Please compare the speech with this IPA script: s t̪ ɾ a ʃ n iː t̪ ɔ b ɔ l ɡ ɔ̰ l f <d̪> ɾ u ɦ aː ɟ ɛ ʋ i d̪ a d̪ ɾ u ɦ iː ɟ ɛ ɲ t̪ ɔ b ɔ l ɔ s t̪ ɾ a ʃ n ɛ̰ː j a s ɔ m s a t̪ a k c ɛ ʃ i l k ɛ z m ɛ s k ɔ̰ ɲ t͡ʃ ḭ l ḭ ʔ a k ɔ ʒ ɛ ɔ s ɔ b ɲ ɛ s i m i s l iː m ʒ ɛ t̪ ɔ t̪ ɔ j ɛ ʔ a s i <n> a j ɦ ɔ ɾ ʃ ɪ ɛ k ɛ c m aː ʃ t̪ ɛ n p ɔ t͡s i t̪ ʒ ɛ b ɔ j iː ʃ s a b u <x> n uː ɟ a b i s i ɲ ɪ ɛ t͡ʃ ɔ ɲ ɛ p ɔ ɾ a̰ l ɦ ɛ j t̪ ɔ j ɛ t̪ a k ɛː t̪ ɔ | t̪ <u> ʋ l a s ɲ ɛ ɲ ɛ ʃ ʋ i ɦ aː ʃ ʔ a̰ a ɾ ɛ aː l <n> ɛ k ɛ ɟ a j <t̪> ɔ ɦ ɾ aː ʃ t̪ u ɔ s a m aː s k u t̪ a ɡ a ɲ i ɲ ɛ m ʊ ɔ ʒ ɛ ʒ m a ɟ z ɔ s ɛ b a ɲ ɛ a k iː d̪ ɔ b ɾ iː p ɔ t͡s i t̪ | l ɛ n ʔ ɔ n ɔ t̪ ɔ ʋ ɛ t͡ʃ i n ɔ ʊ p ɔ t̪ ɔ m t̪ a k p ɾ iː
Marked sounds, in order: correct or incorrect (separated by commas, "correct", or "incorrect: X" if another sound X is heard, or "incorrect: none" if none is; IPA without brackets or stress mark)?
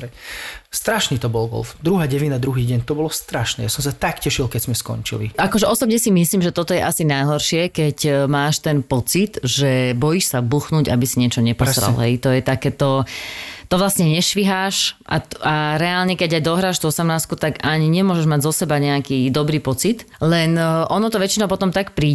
correct, correct, correct, incorrect: ɔ, incorrect: ɲ, incorrect: d̪